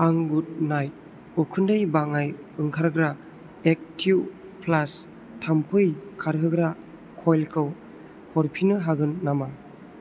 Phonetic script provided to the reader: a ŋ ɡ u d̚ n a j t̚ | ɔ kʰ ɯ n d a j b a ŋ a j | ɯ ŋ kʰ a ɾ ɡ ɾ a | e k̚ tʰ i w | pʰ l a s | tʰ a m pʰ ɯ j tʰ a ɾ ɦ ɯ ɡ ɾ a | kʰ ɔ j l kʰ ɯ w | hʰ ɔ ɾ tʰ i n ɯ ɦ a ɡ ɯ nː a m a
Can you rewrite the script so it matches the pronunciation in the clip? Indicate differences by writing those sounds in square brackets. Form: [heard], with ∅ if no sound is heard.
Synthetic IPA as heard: a ŋ ɡ u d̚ n a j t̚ | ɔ kʰ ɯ n d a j b a ŋ a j | ɯ ŋ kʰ a ɾ ɡ ɾ a | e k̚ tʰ i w | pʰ l a s | tʰ a m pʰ ɯ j [kʰ] a ɾ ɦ ɯ ɡ ɾ a | kʰ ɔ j l kʰ ɯ w | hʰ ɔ ɾ [pʰ] i n ɯ ɦ a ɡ ɯ nː a m a